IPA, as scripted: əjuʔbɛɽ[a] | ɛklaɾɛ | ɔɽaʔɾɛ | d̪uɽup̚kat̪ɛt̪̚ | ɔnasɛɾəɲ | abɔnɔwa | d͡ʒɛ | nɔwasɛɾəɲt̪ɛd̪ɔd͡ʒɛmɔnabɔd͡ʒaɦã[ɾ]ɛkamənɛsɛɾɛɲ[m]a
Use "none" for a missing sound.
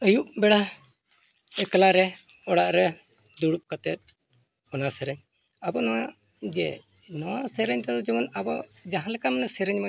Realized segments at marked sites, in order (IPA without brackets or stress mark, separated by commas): a, l, m